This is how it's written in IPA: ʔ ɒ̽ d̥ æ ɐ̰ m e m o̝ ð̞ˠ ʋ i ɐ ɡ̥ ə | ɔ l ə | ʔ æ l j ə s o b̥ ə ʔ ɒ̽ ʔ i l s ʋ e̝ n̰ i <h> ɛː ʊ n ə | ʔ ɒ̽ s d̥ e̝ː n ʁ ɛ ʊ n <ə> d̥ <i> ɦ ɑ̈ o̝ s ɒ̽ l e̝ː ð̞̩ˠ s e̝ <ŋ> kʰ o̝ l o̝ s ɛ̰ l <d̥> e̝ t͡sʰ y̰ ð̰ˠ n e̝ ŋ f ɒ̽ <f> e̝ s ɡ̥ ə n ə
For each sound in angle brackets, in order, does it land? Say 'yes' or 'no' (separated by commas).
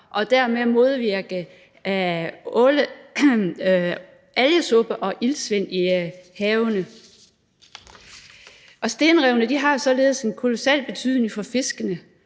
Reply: yes, yes, yes, no, no, yes